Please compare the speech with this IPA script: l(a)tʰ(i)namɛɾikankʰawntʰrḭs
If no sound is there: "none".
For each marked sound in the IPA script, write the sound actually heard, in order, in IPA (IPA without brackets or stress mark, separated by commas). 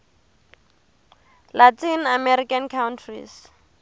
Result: a, i